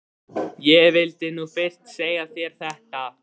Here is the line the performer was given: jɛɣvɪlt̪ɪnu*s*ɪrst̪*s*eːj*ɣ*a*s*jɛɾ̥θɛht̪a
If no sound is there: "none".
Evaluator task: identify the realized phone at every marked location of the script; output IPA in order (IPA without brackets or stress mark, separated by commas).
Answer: f, s, ɣ, θ